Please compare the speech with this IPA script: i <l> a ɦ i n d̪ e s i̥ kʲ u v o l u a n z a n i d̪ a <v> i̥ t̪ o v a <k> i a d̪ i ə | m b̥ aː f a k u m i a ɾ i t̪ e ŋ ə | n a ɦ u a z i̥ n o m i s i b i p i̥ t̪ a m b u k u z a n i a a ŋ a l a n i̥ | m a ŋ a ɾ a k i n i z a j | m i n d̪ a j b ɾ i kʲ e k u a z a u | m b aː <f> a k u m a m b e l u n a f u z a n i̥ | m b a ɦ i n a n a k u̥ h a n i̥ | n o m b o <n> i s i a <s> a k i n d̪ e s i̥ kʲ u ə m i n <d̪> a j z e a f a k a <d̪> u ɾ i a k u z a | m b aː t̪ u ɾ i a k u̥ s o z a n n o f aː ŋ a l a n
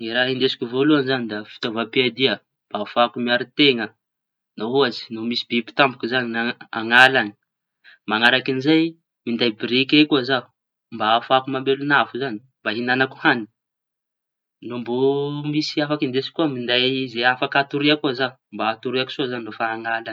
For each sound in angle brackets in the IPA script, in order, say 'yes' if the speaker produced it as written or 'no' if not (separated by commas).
no, no, no, yes, no, no, yes, no